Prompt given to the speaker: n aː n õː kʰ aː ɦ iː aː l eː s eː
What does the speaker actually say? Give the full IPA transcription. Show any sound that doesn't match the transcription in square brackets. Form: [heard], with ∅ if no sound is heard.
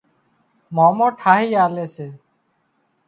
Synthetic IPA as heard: [m] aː [m] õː [ʈʰ] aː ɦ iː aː l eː s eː